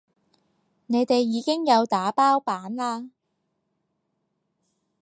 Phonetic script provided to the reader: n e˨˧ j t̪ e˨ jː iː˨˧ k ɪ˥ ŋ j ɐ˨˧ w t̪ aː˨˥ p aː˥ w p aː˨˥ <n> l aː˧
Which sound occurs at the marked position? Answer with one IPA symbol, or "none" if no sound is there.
n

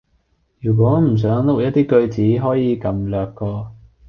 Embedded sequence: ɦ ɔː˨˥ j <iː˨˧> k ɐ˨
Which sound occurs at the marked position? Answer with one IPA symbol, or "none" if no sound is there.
iː˨˧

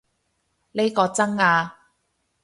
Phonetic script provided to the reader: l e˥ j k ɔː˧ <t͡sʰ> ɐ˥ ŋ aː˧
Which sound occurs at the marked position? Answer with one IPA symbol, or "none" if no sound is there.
t͡s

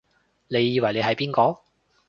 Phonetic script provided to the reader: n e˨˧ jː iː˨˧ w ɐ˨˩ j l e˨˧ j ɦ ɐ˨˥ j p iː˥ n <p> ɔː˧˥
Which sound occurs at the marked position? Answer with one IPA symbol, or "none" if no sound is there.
k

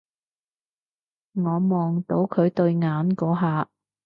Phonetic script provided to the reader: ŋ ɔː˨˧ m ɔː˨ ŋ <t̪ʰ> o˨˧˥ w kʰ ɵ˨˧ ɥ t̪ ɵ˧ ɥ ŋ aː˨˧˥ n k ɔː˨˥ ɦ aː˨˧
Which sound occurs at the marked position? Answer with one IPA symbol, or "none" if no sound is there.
t̪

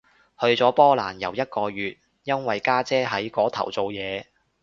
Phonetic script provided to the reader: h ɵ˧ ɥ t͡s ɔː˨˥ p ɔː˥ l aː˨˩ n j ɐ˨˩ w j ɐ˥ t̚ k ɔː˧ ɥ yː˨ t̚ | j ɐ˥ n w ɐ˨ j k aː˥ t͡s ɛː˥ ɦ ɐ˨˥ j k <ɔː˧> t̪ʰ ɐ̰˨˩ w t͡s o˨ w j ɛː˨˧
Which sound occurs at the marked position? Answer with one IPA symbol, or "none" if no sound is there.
ɔː˨˥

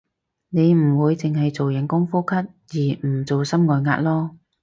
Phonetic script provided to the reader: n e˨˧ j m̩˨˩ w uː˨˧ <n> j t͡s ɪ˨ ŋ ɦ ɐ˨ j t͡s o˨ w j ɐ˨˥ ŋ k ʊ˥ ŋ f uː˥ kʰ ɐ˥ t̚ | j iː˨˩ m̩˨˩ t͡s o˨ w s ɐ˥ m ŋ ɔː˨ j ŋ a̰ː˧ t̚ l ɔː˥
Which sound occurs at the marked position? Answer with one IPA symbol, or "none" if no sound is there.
none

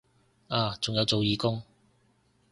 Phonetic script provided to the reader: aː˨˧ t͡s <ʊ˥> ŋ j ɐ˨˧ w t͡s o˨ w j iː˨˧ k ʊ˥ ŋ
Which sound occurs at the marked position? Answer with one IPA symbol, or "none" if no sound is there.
ʊ˨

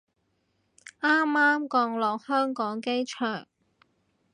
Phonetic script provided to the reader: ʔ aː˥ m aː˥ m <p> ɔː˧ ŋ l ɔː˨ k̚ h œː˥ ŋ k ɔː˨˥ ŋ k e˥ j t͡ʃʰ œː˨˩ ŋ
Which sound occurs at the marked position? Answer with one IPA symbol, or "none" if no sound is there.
k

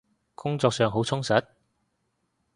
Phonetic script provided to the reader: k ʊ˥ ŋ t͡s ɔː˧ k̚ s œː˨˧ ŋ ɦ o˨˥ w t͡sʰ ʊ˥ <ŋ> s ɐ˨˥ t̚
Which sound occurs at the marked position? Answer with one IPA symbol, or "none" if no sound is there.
ŋ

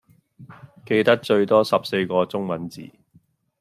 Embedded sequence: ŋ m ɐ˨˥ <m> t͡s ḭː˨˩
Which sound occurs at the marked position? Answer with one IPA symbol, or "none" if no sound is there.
n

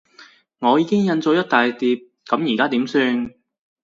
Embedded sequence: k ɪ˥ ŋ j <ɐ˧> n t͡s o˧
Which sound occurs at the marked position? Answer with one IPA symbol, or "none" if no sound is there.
ɐ˧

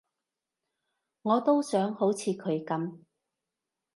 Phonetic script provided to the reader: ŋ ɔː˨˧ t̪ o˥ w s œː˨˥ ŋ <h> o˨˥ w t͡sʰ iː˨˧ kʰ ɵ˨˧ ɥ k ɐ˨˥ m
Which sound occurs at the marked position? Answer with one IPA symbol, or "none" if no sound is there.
h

